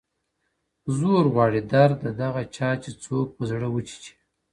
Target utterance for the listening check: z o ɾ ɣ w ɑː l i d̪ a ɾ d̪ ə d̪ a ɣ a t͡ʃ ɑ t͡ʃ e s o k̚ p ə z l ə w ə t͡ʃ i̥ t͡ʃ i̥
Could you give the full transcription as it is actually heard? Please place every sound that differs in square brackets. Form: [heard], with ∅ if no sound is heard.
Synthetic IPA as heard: z o ɾ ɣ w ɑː [ɽ] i d̪ a ɾ d̪ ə d̪ a ɣ a t͡ʃ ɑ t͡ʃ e [t͡s] o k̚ p ə z [ɽ] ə w ə t͡ʃ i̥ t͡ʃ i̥